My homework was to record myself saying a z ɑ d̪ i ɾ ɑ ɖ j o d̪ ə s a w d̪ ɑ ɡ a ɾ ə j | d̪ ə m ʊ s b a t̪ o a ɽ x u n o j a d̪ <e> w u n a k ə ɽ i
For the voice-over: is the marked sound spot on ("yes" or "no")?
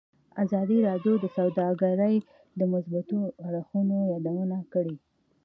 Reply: no